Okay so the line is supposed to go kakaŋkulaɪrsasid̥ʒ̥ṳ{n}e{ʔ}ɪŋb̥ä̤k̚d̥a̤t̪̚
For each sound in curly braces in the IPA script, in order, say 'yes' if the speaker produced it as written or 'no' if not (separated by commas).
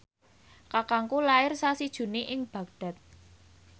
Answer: yes, yes